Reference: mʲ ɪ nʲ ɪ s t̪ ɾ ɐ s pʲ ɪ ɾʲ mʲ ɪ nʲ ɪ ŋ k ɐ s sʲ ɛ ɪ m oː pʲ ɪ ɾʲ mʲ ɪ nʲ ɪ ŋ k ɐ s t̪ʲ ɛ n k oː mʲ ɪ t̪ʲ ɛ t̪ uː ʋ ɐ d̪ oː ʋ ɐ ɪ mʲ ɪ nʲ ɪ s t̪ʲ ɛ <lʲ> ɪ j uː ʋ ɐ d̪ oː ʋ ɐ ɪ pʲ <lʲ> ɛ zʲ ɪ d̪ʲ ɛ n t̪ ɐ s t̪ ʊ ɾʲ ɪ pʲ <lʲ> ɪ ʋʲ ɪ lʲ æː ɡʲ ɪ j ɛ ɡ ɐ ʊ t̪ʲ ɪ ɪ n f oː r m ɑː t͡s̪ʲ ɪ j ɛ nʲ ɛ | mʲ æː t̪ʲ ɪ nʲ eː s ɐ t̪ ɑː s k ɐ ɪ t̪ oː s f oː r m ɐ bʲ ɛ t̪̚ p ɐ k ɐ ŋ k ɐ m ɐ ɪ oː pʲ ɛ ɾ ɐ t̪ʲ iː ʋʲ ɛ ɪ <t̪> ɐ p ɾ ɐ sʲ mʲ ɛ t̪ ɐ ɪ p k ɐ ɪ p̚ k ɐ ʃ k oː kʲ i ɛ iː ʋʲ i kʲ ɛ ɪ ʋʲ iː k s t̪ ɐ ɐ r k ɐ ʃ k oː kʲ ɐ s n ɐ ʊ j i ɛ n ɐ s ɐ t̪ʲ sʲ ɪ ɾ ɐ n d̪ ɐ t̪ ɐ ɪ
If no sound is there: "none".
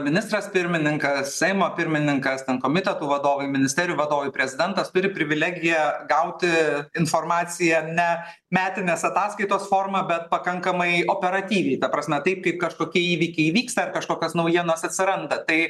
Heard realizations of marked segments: ɾʲ, ɾʲ, ɾʲ, t̪

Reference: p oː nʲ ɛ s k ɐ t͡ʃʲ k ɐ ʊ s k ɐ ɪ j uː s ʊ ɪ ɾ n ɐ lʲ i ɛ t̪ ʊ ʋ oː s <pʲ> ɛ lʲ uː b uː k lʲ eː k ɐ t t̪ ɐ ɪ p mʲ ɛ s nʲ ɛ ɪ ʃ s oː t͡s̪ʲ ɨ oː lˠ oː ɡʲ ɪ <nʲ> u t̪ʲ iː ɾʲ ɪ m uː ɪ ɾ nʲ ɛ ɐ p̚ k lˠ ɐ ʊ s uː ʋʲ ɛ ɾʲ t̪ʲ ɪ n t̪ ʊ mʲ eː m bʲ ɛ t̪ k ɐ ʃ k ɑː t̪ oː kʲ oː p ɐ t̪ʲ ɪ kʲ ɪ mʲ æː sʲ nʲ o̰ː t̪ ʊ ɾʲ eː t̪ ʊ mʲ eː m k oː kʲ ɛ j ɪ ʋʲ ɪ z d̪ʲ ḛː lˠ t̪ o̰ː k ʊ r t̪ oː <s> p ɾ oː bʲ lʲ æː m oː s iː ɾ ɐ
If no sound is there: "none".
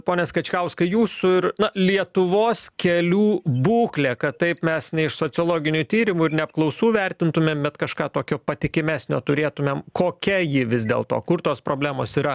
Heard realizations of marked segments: kʲ, nʲ, s

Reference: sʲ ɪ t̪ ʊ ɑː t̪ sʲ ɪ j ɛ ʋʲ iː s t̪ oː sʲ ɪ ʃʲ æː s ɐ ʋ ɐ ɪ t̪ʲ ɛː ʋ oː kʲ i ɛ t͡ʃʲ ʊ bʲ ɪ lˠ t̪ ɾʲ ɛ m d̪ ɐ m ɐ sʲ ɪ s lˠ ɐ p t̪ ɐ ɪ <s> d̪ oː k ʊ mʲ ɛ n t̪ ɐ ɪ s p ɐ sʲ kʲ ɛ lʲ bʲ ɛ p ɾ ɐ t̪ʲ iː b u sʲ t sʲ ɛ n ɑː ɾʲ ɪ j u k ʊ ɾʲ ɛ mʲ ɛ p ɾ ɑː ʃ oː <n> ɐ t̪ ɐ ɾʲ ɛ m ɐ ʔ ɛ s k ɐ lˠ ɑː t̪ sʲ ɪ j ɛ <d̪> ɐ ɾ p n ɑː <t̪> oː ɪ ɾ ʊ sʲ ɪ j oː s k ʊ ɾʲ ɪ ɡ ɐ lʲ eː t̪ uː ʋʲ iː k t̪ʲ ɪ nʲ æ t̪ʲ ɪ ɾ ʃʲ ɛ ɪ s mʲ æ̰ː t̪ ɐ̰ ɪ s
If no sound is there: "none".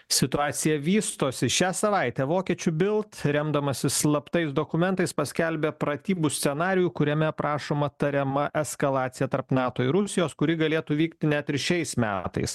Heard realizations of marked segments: s, m, t̪, t̪

